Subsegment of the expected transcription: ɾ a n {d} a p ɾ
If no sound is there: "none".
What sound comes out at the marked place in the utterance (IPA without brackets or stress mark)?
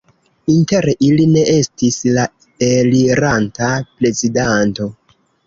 t